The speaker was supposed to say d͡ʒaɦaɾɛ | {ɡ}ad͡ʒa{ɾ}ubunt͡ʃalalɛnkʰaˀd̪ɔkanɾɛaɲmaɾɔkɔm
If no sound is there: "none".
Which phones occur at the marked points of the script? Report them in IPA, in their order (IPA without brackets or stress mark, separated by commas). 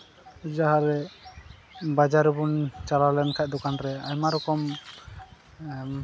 b, ɾ